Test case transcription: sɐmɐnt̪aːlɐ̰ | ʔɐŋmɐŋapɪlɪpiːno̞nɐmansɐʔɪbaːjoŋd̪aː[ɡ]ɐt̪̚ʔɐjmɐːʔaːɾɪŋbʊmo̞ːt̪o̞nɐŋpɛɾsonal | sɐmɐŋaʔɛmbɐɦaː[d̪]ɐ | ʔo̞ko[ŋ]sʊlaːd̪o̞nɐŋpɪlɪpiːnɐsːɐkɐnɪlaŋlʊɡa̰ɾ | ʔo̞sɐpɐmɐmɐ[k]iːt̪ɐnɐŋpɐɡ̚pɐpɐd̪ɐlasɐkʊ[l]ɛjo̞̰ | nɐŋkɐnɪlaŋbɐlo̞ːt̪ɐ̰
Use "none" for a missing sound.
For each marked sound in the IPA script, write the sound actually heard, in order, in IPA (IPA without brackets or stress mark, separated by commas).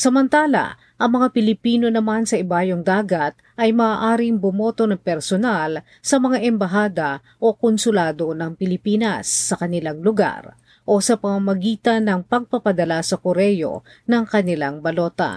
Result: ɡ, d̪, n, ɡ, ɾ